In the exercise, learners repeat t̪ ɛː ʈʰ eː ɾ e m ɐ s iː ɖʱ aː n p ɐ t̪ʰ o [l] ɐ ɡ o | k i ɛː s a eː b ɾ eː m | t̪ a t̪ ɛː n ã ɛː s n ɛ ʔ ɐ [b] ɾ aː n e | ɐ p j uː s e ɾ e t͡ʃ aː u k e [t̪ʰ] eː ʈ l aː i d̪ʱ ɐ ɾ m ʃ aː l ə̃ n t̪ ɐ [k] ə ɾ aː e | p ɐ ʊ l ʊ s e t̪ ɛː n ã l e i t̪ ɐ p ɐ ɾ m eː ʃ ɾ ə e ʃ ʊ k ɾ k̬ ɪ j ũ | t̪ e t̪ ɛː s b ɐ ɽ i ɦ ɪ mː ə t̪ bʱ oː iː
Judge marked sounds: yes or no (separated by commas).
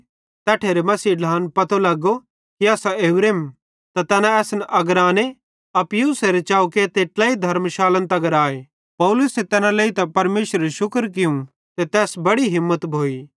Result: yes, no, no, no